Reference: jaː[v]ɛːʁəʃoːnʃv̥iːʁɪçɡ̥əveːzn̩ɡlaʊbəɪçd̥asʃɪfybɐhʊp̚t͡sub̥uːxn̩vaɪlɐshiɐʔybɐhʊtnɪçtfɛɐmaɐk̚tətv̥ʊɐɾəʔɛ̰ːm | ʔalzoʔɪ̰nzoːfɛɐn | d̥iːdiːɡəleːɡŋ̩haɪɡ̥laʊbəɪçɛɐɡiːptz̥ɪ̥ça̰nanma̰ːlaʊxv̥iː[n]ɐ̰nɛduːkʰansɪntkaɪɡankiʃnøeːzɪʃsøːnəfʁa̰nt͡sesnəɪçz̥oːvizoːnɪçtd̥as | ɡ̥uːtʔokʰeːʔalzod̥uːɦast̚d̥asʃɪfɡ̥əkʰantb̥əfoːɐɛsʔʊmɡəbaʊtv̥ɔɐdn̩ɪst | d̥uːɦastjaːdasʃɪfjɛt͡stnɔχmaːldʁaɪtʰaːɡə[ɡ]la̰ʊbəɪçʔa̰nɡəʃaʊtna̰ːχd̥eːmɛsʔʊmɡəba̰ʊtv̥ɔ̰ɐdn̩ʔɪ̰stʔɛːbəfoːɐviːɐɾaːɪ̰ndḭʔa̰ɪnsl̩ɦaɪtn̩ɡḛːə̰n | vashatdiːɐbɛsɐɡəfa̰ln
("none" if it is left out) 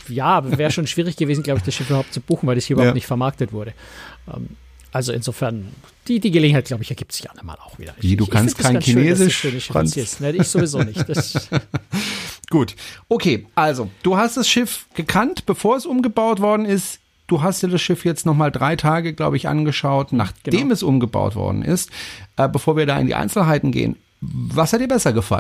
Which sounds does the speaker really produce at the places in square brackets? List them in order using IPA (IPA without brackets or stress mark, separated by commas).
v, d, ɡ